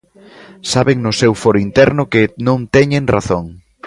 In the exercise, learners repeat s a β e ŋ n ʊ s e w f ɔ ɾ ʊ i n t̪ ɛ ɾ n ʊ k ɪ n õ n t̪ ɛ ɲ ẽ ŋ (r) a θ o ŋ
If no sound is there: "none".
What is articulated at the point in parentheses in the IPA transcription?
r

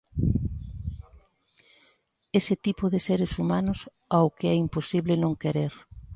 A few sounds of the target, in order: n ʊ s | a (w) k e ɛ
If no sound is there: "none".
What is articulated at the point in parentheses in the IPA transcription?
w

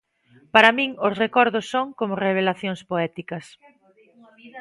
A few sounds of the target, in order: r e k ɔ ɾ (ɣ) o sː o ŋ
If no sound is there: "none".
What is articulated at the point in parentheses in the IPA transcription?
ð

